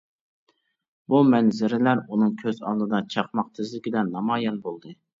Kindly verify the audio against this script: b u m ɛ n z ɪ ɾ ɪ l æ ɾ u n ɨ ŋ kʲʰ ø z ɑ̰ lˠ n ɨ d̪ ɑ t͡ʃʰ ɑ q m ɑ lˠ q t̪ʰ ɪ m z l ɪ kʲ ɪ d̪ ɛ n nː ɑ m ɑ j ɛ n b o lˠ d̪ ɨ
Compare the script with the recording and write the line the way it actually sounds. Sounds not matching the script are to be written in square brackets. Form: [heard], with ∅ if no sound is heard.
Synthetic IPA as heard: b u m ɛ n z ɪ ɾ ɪ l æ ɾ u n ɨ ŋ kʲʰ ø z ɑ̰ lˠ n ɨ d̪ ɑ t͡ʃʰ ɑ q m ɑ [∅] q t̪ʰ ɪ [∅] z l ɪ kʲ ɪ d̪ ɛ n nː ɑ m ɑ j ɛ n b o lˠ d̪ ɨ

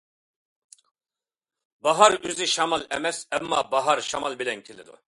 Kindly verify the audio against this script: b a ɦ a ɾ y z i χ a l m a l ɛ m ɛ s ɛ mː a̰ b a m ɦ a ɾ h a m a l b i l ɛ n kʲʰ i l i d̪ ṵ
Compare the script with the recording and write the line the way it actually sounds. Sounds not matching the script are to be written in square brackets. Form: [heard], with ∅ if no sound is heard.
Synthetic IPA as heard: b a ɦ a ɾ y z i [ʃ] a [∅] m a l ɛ m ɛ s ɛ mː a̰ b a [∅] ɦ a ɾ [ʃ] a m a l b i l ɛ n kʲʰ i l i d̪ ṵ

